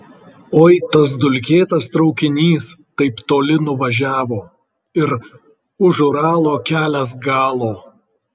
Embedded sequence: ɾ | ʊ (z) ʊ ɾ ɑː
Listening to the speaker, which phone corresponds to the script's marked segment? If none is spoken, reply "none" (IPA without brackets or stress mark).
ʒ